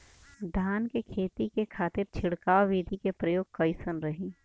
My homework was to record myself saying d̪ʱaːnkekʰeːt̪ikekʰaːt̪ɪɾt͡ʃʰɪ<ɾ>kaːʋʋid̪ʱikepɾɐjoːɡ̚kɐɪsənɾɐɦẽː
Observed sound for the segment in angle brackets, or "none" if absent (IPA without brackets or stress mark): ɽ